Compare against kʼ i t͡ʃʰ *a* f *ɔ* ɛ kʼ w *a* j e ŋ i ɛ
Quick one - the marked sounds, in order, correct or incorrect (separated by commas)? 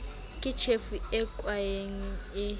incorrect, incorrect, correct